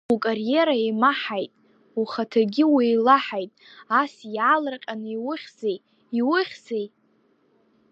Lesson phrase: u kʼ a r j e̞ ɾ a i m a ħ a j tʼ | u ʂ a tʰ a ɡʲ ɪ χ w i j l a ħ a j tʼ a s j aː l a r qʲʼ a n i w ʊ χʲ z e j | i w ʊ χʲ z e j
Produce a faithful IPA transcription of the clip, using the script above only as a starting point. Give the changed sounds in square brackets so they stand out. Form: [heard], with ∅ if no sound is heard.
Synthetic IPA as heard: u kʼ a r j e̞ ɾ a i m a ħ a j tʼ | u [χ] a tʰ a ɡʲ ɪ [∅] w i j l a ħ a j tʼ a s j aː l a r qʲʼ a n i w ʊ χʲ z e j | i w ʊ χʲ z e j